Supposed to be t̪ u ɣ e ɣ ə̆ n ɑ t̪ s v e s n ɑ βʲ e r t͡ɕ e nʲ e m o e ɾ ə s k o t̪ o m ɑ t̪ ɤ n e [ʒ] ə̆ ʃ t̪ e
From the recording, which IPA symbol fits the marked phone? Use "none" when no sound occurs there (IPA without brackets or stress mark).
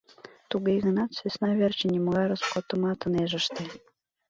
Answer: ʒ